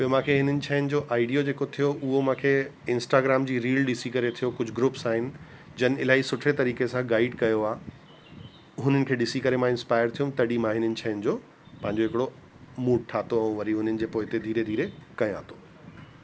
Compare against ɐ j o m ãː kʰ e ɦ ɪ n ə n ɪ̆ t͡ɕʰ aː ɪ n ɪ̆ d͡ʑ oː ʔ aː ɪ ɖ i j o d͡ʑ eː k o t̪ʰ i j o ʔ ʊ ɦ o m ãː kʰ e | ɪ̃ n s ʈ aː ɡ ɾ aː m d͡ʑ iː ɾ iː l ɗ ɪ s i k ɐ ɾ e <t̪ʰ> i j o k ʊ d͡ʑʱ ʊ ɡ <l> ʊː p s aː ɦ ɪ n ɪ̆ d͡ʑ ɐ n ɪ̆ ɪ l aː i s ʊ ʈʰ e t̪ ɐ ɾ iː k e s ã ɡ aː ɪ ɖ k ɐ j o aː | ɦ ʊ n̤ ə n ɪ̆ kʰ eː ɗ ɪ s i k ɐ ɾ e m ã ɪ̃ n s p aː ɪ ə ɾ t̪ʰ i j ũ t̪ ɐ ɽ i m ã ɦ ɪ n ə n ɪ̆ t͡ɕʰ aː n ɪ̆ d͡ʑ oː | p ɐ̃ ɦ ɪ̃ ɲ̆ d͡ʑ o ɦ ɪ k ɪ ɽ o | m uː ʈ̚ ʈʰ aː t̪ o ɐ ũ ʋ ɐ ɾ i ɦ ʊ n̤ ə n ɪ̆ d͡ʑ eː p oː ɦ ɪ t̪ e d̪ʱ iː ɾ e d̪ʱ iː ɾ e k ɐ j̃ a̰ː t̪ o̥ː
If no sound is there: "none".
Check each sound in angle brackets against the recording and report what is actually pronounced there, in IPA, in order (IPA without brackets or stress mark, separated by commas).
t̪ʰ, ɾ